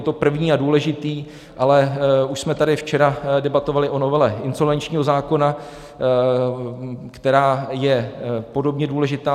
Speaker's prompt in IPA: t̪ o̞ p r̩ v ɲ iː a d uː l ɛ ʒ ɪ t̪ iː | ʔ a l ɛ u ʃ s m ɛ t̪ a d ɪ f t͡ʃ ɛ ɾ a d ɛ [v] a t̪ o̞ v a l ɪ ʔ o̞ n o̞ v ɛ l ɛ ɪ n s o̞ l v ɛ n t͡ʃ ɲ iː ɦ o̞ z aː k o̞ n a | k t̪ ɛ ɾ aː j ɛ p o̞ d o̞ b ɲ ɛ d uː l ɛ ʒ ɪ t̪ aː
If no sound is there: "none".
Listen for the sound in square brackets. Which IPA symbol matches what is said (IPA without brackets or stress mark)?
b